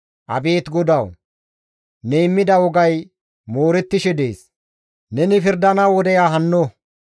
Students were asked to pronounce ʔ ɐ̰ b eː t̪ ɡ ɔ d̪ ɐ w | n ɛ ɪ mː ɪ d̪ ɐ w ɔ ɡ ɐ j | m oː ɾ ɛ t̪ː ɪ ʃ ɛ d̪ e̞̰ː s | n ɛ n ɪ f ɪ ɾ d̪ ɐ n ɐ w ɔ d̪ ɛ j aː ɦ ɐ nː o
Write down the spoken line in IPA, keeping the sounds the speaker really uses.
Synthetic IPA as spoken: ʔ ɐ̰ b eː t̪ ɡ ɔ d̪ ɐ w | n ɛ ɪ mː ɪ d̪ ɐ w ɔ ɡ ɐ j | m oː ɾ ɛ t̪ː ɪ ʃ ɛ d̪ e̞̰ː s | n ɛ n ɪ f ɪ ɾ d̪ ɐ n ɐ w ɔ d̪ ɛ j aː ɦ ɐ nː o